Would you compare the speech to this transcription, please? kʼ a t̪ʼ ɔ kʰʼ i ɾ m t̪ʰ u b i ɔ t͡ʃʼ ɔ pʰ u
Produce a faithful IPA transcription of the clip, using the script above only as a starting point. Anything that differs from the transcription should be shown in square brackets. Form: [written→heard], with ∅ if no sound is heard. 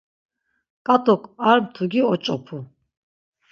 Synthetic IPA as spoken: kʼ a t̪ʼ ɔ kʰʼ [i→a] ɾ m t̪ʰ u [b→ɡ] i ɔ t͡ʃʼ ɔ pʰ u